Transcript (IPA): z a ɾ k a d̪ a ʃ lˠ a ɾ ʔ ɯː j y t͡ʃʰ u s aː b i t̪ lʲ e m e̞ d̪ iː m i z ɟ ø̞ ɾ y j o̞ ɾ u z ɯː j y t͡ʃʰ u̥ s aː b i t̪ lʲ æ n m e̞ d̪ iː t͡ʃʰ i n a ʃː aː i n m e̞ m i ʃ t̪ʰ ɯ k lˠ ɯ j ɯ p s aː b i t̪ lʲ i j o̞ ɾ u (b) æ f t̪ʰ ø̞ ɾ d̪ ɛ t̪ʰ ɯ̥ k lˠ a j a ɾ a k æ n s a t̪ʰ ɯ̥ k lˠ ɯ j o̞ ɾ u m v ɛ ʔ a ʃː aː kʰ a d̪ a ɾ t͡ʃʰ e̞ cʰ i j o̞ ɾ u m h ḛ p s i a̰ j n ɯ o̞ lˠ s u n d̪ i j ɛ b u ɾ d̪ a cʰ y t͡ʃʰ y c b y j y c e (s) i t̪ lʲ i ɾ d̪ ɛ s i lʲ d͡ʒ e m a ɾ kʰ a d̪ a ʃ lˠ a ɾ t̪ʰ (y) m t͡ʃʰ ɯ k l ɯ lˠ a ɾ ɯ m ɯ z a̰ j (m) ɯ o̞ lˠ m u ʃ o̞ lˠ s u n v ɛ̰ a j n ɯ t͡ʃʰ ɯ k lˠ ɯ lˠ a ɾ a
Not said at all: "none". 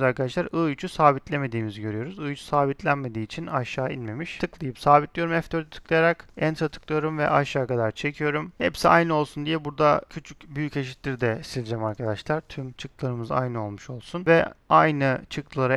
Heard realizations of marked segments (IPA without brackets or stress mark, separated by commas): m, ʃ, y, n